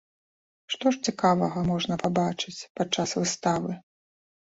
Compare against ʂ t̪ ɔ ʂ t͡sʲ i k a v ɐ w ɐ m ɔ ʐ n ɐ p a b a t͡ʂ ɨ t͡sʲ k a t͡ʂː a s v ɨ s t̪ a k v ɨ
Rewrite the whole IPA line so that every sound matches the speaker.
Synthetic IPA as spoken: ʂ t̪ ɔ ʂ t͡sʲ i k a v ɐ ɣ ɐ m ɔ ʐ n ɐ p a b a t͡ʂ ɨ t͡sʲ p a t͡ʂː a s v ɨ s t̪ a v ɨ